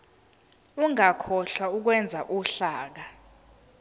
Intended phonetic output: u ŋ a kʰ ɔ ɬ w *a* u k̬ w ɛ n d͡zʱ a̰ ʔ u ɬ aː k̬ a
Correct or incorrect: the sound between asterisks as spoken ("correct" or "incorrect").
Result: correct